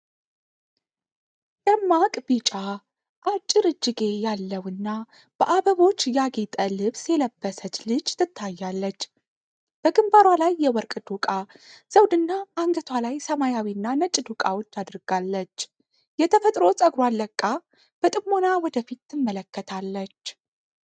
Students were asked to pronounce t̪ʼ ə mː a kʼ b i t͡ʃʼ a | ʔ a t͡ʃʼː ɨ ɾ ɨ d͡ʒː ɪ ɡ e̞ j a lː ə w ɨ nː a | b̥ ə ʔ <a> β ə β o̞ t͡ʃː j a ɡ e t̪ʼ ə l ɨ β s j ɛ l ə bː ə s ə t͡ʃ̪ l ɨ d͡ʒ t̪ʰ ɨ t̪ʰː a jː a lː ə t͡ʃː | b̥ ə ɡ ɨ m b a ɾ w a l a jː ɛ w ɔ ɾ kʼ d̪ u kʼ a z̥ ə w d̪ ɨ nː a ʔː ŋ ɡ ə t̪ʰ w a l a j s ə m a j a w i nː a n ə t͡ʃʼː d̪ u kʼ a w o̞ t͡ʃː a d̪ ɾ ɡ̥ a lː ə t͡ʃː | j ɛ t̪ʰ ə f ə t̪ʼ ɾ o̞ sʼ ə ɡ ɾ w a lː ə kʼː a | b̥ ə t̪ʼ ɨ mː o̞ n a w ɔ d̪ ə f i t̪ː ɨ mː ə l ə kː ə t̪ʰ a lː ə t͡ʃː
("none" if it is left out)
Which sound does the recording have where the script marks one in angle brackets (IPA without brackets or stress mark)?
a